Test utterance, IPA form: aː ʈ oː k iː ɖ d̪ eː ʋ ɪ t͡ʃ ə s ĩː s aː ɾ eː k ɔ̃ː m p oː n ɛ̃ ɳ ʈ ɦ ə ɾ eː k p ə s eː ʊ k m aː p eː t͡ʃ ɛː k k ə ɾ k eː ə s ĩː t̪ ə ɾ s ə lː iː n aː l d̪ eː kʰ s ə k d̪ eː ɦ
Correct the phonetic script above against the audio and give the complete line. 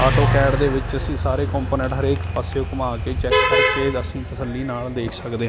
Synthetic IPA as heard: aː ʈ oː k ɛː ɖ d̪ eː ʋ ɪ t͡ʃ ə s ĩː s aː ɾ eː k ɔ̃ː m p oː n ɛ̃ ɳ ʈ ɦ ə ɾ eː k p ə s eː ʊ k m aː k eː t͡ʃ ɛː k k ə ɾ k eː ə s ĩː t̪ ə s ə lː iː n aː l d̪ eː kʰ s ə k d̪ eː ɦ